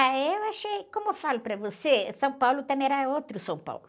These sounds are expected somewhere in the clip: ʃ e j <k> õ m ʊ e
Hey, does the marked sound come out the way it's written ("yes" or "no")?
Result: yes